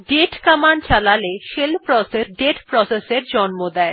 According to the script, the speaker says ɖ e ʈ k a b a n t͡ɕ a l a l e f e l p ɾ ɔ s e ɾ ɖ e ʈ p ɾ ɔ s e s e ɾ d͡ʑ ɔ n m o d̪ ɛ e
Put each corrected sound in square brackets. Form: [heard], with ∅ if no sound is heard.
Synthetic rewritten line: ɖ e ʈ k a [m] a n t͡ɕ a l a l e [ʃ] e l p ɾ ɔ s e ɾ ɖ e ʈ p ɾ ɔ s e s e ɾ d͡ʑ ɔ n m o d̪ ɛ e

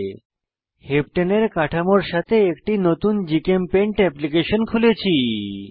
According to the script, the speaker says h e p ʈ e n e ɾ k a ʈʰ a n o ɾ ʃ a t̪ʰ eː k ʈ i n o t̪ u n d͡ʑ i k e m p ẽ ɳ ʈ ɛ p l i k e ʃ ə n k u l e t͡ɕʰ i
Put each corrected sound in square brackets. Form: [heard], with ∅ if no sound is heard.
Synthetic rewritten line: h e p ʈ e n e ɾ k a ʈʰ a [m] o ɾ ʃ a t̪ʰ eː k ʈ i n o t̪ u n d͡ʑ i k e m p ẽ ɳ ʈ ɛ p l i k e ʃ ə n [kʰ] u l e t͡ɕʰ i

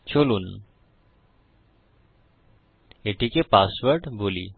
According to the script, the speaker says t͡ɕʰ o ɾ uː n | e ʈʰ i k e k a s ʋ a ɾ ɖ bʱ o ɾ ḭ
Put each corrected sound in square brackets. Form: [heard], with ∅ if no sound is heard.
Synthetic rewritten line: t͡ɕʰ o [l] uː n | e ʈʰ i k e [p] a s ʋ [ə] ɾ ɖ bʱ o [l] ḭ

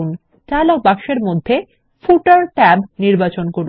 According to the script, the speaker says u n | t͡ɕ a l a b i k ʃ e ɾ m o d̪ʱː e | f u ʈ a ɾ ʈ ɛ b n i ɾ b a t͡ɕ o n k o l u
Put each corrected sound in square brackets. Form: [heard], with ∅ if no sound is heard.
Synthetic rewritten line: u n | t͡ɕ a l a b [a] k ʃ e ɾ m o d̪ʱː e | f u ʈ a ɾ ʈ ɛ b n i ɾ b a t͡ɕ o n k o [ɾ] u

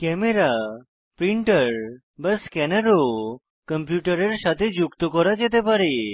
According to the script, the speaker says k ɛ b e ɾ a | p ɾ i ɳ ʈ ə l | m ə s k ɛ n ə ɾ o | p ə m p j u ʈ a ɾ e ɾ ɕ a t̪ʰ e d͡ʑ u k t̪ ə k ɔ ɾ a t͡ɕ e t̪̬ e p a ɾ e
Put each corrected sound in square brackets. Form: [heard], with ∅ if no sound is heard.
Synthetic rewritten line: k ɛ [m] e ɾ a | p ɾ i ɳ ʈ ə [ɾ] | [b] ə s k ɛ n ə ɾ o | [k] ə m p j u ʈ [ə] ɾ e ɾ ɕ a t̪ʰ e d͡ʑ u k t̪ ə k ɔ ɾ a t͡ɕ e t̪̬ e p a ɾ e

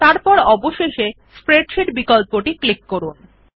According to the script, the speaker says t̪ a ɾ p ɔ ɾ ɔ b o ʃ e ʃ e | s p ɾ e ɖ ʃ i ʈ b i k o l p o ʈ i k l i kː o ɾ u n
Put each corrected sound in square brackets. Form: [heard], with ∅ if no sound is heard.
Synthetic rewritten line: t̪ a ɾ p ɔ ɾ ɔ b o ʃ e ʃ e | s p ɾ e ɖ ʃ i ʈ b i k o l p o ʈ i k l i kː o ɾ u n

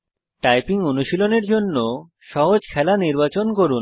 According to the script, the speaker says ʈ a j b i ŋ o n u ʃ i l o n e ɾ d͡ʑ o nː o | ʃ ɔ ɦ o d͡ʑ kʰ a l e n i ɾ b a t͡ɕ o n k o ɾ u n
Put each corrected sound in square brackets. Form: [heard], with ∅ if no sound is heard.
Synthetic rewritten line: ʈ a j [p] i ŋ o n u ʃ i l o n e ɾ d͡ʑ o nː o | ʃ ɔ ɦ o d͡ʑ kʰ [ɛ] l [a] n i ɾ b a t͡ɕ o n k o ɾ u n

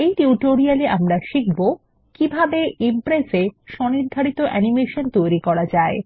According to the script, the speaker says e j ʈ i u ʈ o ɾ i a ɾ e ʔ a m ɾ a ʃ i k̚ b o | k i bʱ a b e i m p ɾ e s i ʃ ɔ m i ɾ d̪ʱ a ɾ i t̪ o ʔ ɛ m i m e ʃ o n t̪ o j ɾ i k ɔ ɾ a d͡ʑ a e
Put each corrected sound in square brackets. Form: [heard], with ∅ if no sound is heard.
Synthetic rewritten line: e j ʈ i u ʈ o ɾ i a [l] e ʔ a m ɾ a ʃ i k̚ b o | k i bʱ a b e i m p ɾ e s [e] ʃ ɔ [n] i ɾ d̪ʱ a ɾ i t̪ o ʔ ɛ [n] i m e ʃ o n t̪ o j ɾ i k ɔ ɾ a d͡ʑ a e

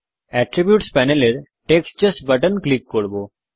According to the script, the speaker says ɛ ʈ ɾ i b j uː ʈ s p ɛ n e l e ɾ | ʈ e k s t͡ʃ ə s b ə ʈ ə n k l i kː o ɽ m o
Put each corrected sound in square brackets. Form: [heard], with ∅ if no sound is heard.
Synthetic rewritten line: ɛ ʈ ɾ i b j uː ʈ s p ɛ n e l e ɾ | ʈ e k s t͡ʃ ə s b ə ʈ ə n k l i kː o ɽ [b] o

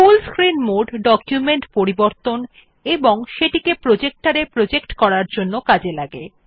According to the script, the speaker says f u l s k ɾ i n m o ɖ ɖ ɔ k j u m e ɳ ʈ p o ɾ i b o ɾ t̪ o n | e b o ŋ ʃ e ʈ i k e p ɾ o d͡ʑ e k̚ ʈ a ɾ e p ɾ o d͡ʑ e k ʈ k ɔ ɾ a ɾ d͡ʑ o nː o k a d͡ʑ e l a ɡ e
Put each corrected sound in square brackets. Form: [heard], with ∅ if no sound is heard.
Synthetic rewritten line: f u l s k ɾ i n m o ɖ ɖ ɔ k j u m e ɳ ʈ p o ɾ i b o ɾ t̪ o n | e b o ŋ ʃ e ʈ i k e p ɾ o d͡ʑ e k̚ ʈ a ɾ e p ɾ o d͡ʑ e k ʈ k ɔ ɾ a ɾ d͡ʑ o nː o k a d͡ʑ e l a ɡ e

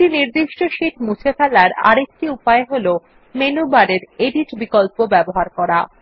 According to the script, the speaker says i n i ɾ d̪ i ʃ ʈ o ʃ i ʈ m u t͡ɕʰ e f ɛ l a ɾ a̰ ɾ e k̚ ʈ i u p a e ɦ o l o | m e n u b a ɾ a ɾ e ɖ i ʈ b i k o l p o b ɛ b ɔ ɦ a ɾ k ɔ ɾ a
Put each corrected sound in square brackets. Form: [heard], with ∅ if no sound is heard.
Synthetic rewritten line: i n i ɾ d̪ i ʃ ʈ o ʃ i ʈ m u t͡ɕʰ e f ɛ l a ɾ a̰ ɾ e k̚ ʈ i u p a e ɦ o l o | m e n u b a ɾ [e] ɾ e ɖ i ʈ b i k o l p o b ɛ b [o] ɦ a ɾ k ɔ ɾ a

